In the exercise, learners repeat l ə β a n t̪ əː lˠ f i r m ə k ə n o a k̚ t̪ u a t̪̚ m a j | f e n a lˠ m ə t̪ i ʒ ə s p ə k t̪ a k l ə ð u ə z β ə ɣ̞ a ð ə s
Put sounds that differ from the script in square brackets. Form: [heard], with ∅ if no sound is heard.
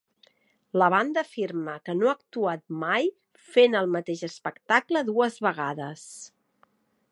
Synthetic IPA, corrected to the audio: l ə β a n [d̪] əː [∅] f i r m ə k ə n o a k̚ t̪ u a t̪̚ m a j | f e n [ə] lˠ m ə t̪ [e] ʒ ə s p ə k t̪ a k l ə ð u ə z β ə ɣ̞ a ð ə s